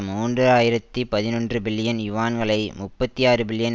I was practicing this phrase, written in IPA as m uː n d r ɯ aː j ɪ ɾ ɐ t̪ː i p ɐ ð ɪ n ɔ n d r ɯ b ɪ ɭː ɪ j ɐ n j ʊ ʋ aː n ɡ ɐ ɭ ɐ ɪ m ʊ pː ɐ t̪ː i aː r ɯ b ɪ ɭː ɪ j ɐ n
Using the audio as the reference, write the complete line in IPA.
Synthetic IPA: m uː n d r ɯ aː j ɪ ɾ ɐ t̪ː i p ɐ ð ɪ n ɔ n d r ɯ b ɪ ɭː ɪ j ɐ n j ʊ ʋ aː n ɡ ɐ ɭ ɐ ɪ m ʊ pː ɐ t̪ː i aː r ɯ b ɪ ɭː ɪ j ɐ n